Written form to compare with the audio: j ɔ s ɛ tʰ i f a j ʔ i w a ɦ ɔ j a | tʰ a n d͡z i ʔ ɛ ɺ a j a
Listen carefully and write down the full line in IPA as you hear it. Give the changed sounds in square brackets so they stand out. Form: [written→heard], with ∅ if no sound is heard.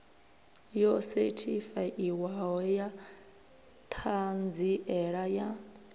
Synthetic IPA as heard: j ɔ s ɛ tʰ i f a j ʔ i w a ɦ ɔ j a | tʰ a n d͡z i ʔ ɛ ɺ a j a